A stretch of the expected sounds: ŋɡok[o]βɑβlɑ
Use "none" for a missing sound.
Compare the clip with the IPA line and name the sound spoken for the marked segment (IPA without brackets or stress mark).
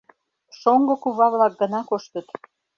u